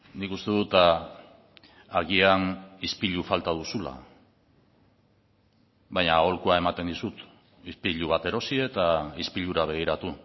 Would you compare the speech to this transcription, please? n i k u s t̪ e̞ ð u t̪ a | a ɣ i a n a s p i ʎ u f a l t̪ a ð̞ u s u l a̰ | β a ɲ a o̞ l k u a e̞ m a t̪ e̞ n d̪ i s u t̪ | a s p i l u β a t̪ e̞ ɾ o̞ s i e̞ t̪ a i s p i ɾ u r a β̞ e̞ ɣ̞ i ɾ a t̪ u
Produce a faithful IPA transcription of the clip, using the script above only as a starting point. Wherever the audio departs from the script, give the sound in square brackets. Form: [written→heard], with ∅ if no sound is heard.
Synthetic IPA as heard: n i k u s t̪ e̞ ð u t̪ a | a ɣ i a n [a→i] s p i ʎ u f a l t̪ a ð̞ u s u l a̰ | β a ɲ a o̞ l k u a e̞ m a t̪ e̞ n d̪ i s u t̪ | [a→i] s p i [l→ʎ] u β a t̪ e̞ ɾ o̞ s i e̞ t̪ a i s p i [ɾ→ʎ] u [r→ɾ] a β̞ e̞ ɣ̞ i ɾ a t̪ u